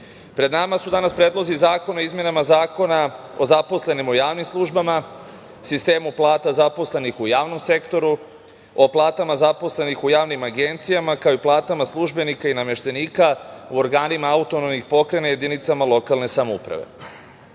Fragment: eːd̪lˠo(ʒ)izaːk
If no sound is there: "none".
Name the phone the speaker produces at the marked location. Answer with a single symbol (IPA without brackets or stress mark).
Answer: z